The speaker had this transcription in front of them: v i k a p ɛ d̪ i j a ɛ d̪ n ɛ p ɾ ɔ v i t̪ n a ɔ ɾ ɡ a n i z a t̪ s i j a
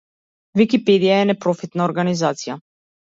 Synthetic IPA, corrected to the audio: v i k i p ɛ d̪ i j a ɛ n ɛ p ɾ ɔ f i t̪ n a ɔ ɾ ɡ a n i z a t̪ s i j a